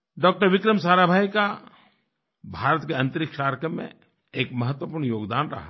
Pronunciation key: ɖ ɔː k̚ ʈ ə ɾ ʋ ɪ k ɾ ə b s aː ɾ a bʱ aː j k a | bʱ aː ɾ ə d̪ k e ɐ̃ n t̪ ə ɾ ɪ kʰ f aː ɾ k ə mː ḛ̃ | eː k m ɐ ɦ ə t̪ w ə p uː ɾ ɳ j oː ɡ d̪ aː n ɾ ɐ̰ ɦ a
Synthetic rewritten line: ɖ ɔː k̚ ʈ ə ɾ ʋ ɪ k ɾ ə m s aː ɾ a bʱ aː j k a | bʱ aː ɾ ə t̪ k e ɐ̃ n t̪ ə ɾ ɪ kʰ ʃ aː ɾ k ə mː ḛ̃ | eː k m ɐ ɦ ə t̪ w ə p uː ɾ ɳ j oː ɡ d̪ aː n ɾ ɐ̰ ɦ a